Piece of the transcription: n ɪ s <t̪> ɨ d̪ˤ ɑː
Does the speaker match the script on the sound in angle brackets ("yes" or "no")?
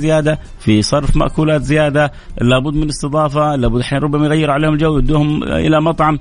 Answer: yes